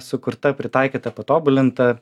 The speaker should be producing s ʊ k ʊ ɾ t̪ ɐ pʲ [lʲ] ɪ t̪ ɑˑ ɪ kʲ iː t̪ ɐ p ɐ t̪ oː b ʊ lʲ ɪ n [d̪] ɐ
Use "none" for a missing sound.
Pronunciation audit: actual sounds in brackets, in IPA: ɾʲ, t̪

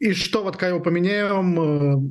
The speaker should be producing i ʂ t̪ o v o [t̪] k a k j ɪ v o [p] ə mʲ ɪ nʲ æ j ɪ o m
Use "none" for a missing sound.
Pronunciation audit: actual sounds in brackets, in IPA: t̪, p

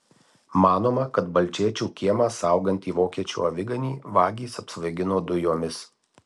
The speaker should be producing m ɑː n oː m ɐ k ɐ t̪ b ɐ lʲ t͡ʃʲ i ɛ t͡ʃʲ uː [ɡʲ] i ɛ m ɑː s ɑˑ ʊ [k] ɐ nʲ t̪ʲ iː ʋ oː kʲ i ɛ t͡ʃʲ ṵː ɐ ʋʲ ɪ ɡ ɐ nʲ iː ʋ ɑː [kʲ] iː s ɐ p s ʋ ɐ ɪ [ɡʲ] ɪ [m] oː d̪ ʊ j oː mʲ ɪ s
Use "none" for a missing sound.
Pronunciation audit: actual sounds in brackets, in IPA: kʲ, ɡ, ɡʲ, ɡʲ, n

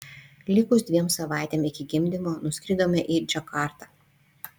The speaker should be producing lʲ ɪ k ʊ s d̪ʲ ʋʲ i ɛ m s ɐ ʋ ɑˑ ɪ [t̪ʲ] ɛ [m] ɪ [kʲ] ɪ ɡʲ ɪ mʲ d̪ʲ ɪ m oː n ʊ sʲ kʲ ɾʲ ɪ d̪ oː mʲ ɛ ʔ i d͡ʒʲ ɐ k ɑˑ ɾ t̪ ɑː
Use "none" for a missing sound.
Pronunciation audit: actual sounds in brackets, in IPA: t̪ʲ, m, kʲ

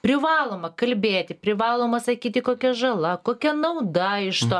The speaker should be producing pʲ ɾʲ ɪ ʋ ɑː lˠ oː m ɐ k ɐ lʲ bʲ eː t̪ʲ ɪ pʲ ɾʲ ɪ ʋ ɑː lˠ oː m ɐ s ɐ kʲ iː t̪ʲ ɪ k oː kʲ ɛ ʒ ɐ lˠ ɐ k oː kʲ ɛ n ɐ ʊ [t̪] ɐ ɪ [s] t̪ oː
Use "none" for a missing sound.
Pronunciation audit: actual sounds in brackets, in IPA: d̪, ʃ

